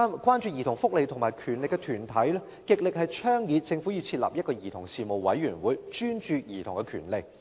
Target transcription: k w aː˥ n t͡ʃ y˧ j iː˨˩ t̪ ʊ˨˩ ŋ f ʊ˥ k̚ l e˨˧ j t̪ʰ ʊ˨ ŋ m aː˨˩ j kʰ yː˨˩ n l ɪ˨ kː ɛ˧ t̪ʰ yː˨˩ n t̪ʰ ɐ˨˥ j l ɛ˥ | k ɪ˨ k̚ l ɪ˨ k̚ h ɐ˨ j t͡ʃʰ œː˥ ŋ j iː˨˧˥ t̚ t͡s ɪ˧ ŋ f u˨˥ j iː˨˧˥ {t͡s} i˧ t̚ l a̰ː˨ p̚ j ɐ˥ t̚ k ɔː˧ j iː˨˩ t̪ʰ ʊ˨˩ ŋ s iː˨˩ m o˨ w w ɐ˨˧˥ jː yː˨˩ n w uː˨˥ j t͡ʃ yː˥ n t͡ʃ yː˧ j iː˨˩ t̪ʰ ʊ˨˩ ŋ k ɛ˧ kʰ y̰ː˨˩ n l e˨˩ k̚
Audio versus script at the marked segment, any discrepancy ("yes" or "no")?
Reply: yes